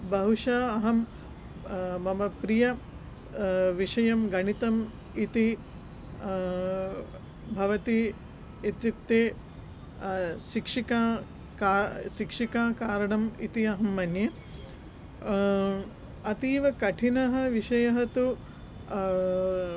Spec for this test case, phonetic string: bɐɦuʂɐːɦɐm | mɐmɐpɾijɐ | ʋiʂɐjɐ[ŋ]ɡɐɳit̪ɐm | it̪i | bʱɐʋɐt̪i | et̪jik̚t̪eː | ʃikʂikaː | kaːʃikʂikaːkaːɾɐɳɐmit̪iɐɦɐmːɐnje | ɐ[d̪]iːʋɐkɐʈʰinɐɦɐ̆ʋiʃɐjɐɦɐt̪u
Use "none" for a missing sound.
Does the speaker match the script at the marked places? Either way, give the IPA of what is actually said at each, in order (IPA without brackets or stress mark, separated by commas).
m, t̪